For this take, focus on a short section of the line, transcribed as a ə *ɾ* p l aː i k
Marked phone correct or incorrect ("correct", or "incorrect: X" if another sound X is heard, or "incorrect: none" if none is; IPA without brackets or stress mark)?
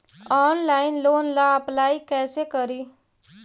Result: incorrect: none